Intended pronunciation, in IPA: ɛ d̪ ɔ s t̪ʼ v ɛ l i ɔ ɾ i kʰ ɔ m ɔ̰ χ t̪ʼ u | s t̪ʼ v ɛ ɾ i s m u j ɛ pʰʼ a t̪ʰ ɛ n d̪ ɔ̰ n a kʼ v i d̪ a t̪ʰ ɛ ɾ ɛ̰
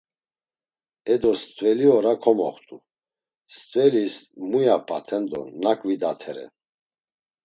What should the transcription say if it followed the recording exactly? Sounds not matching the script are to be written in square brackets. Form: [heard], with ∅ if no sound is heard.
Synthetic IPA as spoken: ɛ d̪ ɔ s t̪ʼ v ɛ l i ɔ ɾ [a] kʰ ɔ m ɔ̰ χ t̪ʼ u | s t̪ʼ v ɛ [l] i s m u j [a] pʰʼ a t̪ʰ ɛ n d̪ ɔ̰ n a kʼ v i d̪ a t̪ʰ ɛ ɾ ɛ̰